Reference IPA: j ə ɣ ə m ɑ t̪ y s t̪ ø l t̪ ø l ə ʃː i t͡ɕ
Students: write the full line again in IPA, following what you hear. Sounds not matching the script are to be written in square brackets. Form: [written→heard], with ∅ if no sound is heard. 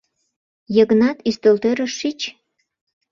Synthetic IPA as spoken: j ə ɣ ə [m→n] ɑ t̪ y s t̪ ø l t̪ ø [l→ɾ] ə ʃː i t͡ɕ